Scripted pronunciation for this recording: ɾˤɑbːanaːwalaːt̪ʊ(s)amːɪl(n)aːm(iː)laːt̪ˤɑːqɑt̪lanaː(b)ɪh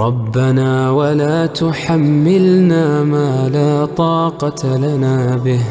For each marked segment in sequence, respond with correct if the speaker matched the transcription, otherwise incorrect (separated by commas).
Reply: incorrect, correct, incorrect, correct